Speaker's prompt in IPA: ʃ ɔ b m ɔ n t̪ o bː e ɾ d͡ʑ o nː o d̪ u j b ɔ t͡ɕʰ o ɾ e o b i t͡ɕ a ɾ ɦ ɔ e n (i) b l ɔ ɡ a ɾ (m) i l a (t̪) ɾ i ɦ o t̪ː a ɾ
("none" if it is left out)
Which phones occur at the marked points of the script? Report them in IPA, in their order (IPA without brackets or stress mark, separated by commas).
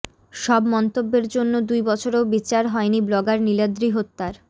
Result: i, n, d̪